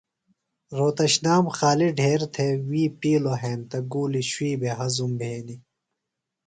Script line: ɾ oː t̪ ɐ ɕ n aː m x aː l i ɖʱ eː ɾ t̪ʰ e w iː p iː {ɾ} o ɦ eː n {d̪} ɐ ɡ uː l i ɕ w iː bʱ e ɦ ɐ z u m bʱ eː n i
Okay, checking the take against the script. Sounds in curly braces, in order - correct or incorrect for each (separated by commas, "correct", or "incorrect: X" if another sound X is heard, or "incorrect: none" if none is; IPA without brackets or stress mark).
incorrect: l, incorrect: t̪